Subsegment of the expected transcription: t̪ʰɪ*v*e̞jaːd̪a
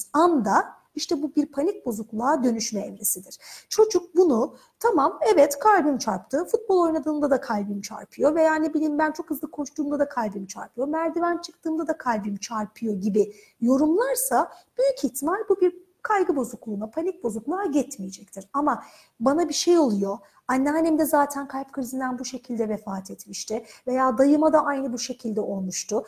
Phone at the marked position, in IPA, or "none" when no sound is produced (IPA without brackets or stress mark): v